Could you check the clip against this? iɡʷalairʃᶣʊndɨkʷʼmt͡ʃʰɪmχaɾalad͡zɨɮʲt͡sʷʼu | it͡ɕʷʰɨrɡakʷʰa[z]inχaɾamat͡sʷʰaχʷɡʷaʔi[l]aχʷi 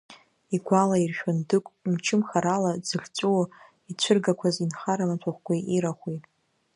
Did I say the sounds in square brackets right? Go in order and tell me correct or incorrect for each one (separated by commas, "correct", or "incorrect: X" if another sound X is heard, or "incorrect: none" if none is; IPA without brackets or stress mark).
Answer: correct, incorrect: ɾ